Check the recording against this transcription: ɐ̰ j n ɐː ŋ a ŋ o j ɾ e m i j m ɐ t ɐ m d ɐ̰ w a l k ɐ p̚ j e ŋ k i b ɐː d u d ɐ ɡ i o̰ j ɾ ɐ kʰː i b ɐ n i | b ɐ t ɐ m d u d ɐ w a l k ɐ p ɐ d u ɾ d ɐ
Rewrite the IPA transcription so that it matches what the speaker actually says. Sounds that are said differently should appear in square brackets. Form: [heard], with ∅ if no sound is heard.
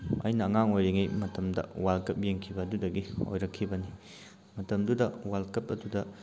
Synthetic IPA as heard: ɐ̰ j n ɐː ŋ a ŋ o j ɾ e [ŋ] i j m ɐ t ɐ m d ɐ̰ w a l k ɐ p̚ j e ŋ [kʰ] i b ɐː d u d ɐ ɡ i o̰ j ɾ ɐ kʰː i b ɐ n i | [m] ɐ t ɐ m d u d ɐ w a l k ɐ p ɐ d u [∅] d ɐ